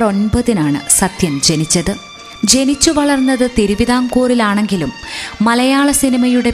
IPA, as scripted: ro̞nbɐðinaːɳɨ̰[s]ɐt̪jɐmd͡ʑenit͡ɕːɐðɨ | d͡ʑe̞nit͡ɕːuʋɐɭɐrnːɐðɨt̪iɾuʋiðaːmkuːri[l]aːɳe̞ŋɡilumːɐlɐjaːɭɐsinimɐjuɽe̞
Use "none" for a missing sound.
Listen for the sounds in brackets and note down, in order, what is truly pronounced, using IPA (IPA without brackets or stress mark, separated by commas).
s, l